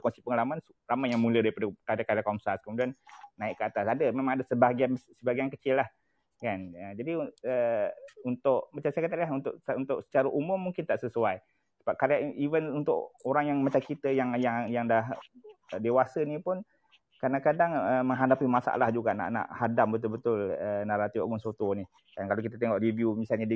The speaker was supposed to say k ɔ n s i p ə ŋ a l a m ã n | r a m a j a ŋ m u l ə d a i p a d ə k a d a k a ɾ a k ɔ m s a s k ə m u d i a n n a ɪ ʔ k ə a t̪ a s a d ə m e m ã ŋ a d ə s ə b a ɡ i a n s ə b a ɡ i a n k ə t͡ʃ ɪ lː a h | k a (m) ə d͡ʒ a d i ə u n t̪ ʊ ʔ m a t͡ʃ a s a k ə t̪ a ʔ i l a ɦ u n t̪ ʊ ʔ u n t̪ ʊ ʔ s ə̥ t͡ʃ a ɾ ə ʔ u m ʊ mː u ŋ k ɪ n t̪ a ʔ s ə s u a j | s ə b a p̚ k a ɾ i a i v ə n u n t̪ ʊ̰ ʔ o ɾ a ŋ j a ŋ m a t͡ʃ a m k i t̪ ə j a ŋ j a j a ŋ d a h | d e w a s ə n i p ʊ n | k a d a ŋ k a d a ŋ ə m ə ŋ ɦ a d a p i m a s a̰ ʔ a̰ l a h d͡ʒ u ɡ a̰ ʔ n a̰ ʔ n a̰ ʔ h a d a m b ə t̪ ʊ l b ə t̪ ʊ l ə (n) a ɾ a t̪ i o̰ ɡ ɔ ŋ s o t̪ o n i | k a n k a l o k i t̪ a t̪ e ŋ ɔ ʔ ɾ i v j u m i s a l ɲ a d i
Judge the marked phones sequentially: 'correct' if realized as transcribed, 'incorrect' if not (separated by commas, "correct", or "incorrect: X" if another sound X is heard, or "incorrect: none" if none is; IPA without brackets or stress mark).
incorrect: n, correct